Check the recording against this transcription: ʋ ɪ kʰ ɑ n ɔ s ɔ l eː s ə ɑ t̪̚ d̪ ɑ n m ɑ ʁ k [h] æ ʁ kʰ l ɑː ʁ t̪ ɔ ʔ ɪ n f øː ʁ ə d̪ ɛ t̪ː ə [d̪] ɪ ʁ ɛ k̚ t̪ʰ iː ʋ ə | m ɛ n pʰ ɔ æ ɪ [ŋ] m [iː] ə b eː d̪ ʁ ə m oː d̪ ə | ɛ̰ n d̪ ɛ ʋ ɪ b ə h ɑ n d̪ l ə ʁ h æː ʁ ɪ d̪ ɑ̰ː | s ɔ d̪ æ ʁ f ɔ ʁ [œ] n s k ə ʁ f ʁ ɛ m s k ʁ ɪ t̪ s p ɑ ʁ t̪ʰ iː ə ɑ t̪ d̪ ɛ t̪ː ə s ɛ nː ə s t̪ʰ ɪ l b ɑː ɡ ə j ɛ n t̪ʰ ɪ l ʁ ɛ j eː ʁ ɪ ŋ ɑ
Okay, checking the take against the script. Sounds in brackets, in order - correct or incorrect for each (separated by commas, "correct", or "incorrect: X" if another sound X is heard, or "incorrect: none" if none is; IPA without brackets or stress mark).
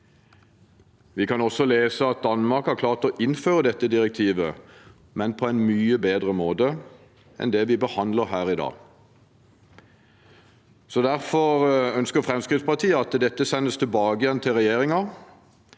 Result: correct, correct, incorrect: n, incorrect: yː, correct